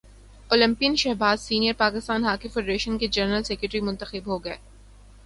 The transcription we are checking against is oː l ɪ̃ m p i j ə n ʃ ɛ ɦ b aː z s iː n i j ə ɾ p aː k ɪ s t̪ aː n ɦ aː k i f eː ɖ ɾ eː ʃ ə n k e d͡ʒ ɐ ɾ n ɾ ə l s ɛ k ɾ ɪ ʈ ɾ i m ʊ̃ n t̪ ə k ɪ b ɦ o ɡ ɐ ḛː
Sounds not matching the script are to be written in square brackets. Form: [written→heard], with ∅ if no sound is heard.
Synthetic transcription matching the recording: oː l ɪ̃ m p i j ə n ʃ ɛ ɦ b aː z s iː n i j ə ɾ p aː k ɪ s t̪ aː n ɦ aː k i f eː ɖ ɾ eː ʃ ə n k e d͡ʒ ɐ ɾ n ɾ ə l s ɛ k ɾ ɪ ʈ ɾ i m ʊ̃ n t̪ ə [k→x] ɪ b ɦ o ɡ ɐ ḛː